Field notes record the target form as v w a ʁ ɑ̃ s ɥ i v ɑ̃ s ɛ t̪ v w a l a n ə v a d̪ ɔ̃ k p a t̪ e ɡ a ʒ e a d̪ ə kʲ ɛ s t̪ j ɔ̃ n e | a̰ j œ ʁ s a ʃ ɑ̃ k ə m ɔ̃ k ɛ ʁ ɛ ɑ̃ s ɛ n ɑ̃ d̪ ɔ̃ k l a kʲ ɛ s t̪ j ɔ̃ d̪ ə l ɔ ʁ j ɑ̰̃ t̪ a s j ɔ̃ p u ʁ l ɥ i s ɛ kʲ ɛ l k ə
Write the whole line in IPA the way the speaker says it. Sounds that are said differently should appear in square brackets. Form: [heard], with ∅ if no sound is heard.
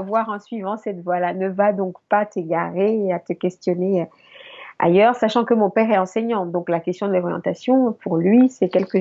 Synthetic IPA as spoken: v w a ʁ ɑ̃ s ɥ i v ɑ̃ s ɛ t̪ v w a l a n ə v a d̪ ɔ̃ k p a t̪ e ɡ a [ʁ] e a [t̪] ə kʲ ɛ s t̪ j [ɔ] n e | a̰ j œ ʁ s a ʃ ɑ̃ k ə m ɔ̃ [p] ɛ ʁ ɛ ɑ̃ s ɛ [ɲ] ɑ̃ d̪ ɔ̃ k l a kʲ ɛ s t̪ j ɔ̃ d̪ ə l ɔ ʁ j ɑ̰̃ t̪ a s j ɔ̃ p u ʁ l ɥ i s ɛ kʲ ɛ l k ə